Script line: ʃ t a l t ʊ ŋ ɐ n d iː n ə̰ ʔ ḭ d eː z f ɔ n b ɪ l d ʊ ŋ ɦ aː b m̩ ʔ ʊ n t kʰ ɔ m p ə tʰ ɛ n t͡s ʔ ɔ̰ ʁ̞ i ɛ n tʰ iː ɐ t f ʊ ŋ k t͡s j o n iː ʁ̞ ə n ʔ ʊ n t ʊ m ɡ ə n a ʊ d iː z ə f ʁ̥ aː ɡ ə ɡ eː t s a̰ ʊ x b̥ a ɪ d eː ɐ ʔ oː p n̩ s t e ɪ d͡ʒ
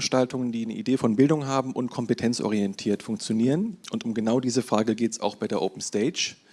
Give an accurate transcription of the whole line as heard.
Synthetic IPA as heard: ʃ t a l t ʊ ŋ ə n d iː n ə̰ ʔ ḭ d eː f ɔ n b ɪ l d ʊ ŋ ɦ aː b m̩ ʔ ʊ n t kʰ ɔ m p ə tʰ ɛ n t͡s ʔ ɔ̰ ʁ̞ i ɛ n tʰ iː ɐ t f ʊ ŋ k t͡s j o n iː ʁ̞ ə n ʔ ʊ n t ʊ m ɡ ə n a ʊ d iː z ə f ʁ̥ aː ɡ ə ɡ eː t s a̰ ʊ x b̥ a ɪ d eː ɐ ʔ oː p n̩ s t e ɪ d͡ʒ